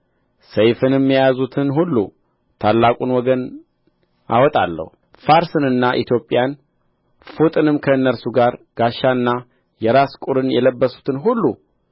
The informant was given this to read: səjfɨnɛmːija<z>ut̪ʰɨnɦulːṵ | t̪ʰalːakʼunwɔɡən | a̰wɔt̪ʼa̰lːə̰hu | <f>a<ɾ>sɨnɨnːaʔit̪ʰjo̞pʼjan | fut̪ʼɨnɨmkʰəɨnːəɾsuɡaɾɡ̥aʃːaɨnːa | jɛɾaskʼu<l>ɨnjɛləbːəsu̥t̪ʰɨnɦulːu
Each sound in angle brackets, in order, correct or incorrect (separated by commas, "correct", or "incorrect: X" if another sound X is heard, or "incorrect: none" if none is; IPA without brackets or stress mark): correct, correct, correct, incorrect: ɾ